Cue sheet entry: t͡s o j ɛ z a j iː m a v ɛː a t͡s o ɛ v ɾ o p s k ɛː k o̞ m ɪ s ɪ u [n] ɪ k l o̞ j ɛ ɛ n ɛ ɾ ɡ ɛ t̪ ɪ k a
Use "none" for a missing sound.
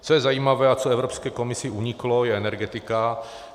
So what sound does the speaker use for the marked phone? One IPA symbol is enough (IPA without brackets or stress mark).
ɲ